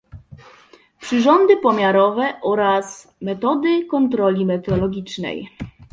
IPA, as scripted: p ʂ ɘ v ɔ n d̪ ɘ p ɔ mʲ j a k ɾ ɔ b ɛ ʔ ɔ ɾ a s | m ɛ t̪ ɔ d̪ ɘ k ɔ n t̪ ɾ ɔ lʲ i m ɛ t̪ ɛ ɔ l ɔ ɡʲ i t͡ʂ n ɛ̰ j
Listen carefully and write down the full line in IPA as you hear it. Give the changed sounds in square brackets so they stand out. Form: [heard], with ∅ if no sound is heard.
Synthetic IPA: p ʂ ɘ [ʐ] ɔ n d̪ ɘ p ɔ mʲ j a [∅] ɾ ɔ [v] ɛ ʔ ɔ ɾ a s | m ɛ t̪ ɔ d̪ ɘ k ɔ n t̪ ɾ ɔ lʲ i m ɛ t̪ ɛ ɔ l ɔ ɡʲ i t͡ʂ n ɛ̰ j